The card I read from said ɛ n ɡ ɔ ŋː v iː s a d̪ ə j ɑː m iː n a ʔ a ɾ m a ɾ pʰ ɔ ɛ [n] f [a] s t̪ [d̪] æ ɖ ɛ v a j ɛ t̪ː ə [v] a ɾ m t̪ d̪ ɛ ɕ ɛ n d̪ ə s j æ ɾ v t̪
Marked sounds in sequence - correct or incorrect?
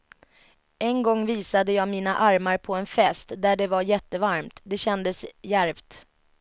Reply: correct, incorrect: ɛ, correct, correct

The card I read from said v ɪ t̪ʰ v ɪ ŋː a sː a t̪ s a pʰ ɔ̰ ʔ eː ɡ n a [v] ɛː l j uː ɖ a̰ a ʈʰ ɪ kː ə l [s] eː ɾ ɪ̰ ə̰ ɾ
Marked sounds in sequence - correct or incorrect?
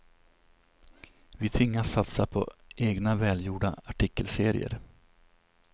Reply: correct, correct

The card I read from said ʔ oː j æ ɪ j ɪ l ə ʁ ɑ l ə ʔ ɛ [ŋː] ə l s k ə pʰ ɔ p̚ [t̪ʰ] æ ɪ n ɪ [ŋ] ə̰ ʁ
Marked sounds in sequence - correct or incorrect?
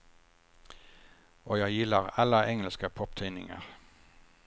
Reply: incorrect: ŋ, correct, correct

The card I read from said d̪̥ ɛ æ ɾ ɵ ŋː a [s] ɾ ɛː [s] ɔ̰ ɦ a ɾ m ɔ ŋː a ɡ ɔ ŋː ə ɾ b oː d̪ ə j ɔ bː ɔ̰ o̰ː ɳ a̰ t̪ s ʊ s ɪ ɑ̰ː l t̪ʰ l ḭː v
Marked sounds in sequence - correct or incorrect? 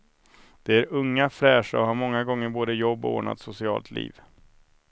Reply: incorrect: f, incorrect: ʂ

